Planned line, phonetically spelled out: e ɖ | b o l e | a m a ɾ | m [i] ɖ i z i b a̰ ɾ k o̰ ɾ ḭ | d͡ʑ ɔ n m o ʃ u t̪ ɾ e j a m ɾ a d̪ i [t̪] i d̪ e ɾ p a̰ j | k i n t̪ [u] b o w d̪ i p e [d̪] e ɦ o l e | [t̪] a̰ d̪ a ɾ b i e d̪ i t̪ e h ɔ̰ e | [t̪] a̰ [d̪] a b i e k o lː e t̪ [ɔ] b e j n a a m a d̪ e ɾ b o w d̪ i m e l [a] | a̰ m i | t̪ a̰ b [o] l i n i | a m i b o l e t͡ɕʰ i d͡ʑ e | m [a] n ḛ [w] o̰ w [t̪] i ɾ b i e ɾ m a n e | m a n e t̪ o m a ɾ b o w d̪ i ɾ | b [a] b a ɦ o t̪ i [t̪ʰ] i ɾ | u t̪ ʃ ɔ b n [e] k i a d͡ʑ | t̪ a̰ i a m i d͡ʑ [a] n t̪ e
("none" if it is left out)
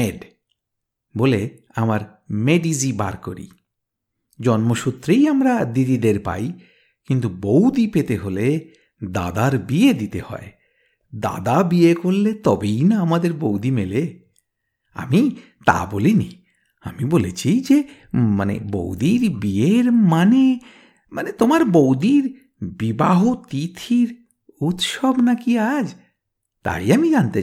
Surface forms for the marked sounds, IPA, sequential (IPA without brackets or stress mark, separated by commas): e, d̪, u, t̪, d̪, d̪, d̪, ɔ, e, o, a, b, d̪, i, t̪ʰ, a, a